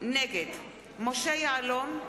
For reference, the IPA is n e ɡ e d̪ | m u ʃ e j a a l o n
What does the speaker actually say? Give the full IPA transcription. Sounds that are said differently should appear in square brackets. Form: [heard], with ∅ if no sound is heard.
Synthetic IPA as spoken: n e ɡ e d̪ | m [o] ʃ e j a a l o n